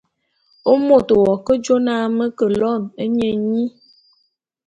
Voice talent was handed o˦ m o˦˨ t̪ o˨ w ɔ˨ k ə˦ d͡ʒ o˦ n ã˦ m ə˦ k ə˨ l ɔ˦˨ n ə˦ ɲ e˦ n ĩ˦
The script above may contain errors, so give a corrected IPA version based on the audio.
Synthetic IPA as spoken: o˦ m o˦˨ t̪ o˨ w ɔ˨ k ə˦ d͡ʒ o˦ n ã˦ m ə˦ k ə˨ l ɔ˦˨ n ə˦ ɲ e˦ ɲ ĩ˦